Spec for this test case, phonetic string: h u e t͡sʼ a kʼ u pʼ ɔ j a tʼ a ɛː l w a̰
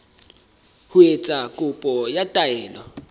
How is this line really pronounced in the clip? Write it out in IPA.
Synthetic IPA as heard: h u e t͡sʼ a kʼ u pʼ ɔ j a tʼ a ɛː l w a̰